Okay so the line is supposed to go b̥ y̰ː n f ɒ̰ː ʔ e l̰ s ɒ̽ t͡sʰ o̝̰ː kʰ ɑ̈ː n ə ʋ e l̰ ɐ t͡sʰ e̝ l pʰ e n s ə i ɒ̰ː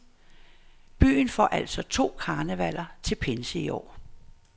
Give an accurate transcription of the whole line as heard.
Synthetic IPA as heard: b̥ y̰ː n f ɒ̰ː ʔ æ l̰ s ɒ̽ t͡sʰ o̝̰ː kʰ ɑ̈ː n ə ʋ æ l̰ ɐ t͡sʰ e̝ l pʰ e n s ə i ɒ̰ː